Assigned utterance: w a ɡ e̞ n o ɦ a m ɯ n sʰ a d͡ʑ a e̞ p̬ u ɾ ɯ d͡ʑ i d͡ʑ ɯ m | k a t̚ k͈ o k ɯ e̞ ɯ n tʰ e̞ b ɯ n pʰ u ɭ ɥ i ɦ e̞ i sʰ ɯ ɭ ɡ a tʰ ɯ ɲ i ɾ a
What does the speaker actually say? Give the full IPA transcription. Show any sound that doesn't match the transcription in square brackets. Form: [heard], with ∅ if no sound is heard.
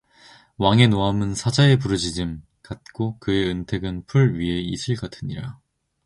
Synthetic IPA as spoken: w a [ŋ] e̞ n o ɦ a m ɯ n sʰ a d͡ʑ a e̞ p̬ u ɾ ɯ d͡ʑ i d͡ʑ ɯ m | k a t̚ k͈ o k ɯ e̞ ɯ n tʰ e̞ [ɡ] ɯ n pʰ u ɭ ɥ i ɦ e̞ i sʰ ɯ ɭ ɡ a tʰ ɯ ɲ i ɾ a